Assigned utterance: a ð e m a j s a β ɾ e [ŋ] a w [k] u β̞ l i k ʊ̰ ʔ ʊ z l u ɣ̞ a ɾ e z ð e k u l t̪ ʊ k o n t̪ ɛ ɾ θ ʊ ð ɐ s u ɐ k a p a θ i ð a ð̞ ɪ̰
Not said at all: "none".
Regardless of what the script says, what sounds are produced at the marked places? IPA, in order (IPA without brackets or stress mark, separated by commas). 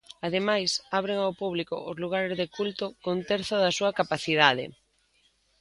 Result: ŋ, p